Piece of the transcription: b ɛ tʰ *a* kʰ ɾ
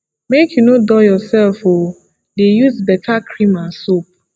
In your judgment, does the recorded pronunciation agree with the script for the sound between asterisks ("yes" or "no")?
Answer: yes